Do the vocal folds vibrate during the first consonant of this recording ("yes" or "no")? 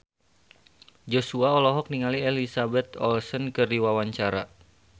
yes